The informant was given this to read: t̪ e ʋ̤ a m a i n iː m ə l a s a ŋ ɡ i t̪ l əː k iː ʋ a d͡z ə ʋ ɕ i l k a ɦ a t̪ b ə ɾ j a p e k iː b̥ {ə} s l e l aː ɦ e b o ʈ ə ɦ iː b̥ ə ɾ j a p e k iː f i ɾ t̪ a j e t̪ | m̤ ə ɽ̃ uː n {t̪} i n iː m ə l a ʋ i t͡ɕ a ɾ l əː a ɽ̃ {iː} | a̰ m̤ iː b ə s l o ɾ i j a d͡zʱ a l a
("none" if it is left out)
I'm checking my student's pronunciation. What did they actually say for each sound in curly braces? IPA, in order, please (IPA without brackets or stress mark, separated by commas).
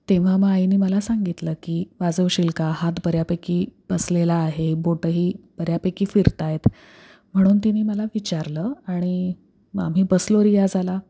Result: ə, t̪, i